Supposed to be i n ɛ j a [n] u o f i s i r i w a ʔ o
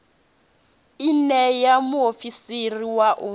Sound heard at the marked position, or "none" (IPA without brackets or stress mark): m